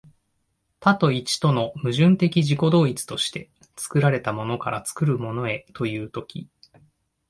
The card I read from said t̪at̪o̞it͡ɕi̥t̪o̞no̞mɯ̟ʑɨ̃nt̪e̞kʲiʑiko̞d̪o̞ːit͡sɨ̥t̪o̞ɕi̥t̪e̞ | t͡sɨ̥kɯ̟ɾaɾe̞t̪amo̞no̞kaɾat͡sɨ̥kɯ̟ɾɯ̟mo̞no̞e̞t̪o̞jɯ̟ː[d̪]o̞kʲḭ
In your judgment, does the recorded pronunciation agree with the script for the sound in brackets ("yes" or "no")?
no